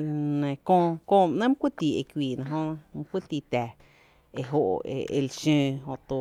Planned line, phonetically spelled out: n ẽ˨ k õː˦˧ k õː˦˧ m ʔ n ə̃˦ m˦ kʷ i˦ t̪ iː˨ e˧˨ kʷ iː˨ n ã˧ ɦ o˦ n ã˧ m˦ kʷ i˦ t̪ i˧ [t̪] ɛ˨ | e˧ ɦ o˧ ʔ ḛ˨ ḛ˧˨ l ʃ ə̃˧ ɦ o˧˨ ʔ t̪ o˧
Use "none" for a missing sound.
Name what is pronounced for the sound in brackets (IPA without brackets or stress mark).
t̪